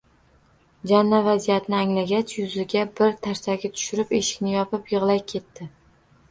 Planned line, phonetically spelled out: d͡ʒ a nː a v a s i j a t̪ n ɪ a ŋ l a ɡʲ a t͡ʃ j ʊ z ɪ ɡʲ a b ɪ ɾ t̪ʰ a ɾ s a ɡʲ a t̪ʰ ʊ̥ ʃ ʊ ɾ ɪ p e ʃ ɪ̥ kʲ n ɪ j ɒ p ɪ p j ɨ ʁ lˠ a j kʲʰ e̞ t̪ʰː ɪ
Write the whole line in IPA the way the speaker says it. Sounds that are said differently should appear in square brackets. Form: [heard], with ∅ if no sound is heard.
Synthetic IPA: d͡ʒ a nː a v a [z] i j a t̪ n ɪ a ŋ l a ɡʲ a t͡ʃ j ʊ z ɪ ɡʲ a b ɪ ɾ t̪ʰ a ɾ s a ɡʲ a t̪ʰ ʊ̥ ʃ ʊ ɾ ɪ p e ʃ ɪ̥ kʲ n ɪ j ɒ p ɪ p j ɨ ʁ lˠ a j kʲʰ e̞ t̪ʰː ɪ